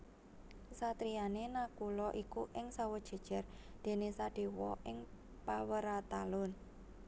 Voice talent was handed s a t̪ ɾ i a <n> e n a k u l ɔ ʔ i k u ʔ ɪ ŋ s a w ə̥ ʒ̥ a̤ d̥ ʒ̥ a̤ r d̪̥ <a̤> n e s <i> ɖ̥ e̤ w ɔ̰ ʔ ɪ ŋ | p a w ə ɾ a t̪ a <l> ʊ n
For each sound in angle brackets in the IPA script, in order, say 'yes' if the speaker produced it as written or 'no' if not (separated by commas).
yes, no, no, yes